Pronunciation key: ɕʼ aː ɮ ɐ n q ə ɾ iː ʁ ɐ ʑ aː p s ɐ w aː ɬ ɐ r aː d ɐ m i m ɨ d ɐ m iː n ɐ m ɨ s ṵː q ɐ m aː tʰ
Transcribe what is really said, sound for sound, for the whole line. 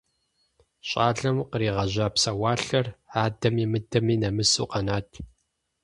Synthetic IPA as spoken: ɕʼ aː ɮ ɐ m q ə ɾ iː ʁ ɐ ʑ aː p s ɐ w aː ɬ ɐ r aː d ɐ m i m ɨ d ɐ m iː n ɐ m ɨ s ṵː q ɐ n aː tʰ